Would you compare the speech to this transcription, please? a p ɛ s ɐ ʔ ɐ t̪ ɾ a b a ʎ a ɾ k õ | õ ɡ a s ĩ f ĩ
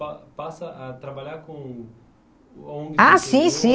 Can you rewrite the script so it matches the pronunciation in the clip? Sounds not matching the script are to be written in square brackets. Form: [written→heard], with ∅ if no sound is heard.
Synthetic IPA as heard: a p [ɛ→a] s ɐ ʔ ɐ t̪ ɾ a b a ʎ a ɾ k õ | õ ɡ a s ĩ [f→s] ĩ

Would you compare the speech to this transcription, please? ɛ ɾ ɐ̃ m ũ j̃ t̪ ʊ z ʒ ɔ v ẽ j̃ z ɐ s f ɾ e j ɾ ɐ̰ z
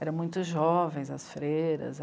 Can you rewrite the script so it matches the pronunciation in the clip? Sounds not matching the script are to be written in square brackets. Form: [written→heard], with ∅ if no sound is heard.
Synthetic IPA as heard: ɛ ɾ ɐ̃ m ũ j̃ t̪ ʊ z ʒ ɔ v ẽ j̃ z ɐ s f ɾ e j ɾ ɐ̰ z

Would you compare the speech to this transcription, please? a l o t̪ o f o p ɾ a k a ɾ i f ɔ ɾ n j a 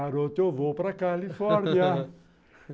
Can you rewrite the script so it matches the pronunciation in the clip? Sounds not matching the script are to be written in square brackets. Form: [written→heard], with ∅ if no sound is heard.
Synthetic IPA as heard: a [l→ɾ] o t̪ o [f→v] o p ɾ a k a [ɾ→l] i f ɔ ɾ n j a

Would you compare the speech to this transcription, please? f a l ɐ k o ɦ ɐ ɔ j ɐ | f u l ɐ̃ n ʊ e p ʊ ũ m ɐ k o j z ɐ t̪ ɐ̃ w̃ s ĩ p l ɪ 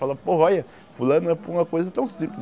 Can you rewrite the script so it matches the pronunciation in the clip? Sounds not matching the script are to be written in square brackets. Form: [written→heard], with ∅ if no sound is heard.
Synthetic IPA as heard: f a l ɐ [k→p] o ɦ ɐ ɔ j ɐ | f u l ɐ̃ n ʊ [e→ɛ] p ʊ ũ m ɐ k o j z ɐ t̪ ɐ̃ w̃ s ĩ p l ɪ

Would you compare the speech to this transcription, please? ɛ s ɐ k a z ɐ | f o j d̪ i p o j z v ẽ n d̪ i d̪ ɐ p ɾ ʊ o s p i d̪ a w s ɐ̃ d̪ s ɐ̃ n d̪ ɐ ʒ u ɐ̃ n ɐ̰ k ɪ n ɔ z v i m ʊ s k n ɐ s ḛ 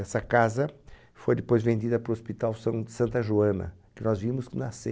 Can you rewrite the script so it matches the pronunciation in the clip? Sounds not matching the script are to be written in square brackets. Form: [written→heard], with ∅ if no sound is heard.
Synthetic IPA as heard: ɛ s ɐ k a z ɐ | f o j d̪ [i→ɪ] p o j z v ẽ n d̪ i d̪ ɐ p ɾ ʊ o s p i [d̪→t̪] a w s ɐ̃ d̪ s ɐ̃ n [d̪→t̪] ɐ ʒ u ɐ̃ n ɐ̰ k ɪ n ɔ z v i m ʊ s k n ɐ s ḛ

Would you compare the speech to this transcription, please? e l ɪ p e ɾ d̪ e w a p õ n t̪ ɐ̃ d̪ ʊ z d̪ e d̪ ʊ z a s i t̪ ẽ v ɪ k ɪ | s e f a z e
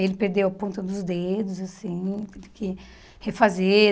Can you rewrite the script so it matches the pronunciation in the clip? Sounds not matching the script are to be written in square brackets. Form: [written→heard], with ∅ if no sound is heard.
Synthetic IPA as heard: e l ɪ p e ɾ d̪ e w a p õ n t̪ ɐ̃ d̪ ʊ z d̪ e d̪ ʊ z a s [i→ĩ] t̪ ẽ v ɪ k ɪ | [s→h] e f a z e

